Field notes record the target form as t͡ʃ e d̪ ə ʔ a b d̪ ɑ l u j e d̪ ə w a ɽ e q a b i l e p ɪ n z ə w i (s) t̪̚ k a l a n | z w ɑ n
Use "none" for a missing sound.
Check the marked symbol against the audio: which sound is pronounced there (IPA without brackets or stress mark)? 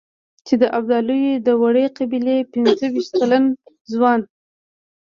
ʃ